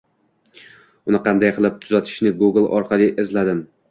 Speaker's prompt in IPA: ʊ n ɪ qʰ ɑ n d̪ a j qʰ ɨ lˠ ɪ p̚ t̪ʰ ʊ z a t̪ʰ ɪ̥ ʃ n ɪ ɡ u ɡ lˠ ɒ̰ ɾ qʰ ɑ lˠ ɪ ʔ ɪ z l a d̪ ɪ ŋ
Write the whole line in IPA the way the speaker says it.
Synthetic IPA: ʊ n ɪ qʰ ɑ n d̪ a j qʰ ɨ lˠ ɪ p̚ t̪ʰ ʊ z a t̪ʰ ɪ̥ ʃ n ɪ ɡ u ɡ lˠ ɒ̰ ɾ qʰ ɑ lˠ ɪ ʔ ɪ z l a d̪ ɪ m